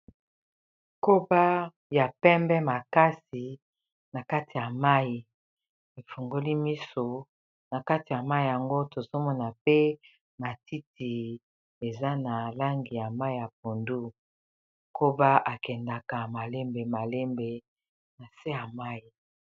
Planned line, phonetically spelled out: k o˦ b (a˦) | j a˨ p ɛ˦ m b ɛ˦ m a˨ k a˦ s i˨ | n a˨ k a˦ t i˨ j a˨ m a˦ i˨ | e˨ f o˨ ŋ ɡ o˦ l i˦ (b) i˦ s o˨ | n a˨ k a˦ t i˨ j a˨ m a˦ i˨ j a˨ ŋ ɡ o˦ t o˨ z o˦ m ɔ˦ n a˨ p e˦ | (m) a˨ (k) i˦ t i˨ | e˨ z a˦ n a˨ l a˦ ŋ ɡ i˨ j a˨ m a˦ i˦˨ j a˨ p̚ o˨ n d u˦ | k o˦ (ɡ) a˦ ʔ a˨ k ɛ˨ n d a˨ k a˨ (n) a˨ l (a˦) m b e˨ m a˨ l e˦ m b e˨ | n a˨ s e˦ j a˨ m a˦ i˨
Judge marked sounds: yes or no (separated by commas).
yes, no, yes, no, no, no, no